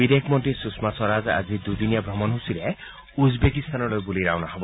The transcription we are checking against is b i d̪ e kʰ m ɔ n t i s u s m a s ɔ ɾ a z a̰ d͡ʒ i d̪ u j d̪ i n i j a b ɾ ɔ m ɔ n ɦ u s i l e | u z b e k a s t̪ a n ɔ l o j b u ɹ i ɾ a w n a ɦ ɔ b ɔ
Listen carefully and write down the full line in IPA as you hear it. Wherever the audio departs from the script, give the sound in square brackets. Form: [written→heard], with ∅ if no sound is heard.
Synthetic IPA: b i d̪ e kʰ m ɔ n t i s u s m a s ɔ ɾ a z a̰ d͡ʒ i d̪ u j d̪ i n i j a b ɾ ɔ m ɔ n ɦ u s i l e | u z b e k [a→i] s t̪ a n ɔ l o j b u [ɹ→l] i ɾ a w n a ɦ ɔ b ɔ